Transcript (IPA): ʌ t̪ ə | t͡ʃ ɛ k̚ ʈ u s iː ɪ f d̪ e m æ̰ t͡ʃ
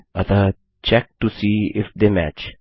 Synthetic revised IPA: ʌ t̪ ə | t͡ʃ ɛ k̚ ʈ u s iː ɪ f d̪ e m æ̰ t͡ʃ